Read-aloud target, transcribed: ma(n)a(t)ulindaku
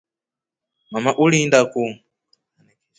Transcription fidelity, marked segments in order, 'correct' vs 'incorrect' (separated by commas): incorrect, incorrect